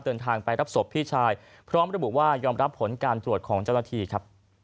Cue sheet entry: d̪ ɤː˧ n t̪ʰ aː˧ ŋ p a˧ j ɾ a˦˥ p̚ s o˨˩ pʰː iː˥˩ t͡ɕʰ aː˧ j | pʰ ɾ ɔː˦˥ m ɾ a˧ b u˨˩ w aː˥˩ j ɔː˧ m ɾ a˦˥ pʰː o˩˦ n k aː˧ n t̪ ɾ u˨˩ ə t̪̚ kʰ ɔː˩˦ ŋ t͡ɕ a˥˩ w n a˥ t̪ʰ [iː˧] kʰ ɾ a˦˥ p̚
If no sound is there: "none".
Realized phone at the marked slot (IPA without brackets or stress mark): iː˧